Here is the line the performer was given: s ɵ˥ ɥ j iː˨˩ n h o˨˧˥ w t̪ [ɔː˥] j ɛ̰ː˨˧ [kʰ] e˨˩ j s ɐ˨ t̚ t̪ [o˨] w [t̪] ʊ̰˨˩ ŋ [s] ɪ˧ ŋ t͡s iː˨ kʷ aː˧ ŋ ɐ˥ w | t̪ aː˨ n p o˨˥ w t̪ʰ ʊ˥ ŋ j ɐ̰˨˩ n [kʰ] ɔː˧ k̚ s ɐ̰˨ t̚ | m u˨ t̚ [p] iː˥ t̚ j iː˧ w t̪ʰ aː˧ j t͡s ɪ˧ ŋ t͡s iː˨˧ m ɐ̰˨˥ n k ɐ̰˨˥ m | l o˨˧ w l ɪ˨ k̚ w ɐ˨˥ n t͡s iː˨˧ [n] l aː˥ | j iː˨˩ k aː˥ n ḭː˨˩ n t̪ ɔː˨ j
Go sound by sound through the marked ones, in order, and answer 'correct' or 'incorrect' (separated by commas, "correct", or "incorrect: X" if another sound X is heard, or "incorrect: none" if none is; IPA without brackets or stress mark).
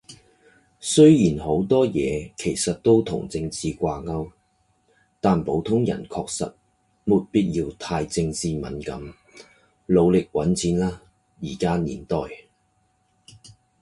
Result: correct, correct, incorrect: o˥, incorrect: t̪ʰ, incorrect: t͡s, correct, correct, correct